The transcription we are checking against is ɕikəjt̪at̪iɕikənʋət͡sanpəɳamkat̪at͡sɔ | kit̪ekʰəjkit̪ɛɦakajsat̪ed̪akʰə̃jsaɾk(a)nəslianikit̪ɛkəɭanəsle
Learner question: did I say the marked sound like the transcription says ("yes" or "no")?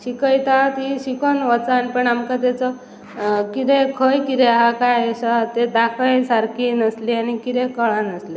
no